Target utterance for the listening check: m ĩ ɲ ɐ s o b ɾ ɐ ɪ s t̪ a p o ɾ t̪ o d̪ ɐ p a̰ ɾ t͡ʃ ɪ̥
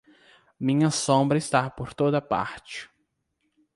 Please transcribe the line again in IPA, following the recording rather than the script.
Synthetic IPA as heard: m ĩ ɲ ɐ s õ b ɾ ɐ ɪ s t̪ a p o ɾ t̪ o d̪ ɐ p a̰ ɾ t͡ʃ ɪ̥